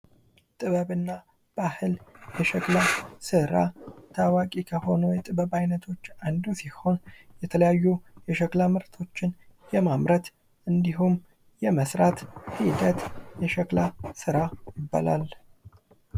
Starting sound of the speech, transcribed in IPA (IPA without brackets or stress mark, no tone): t̪ʼ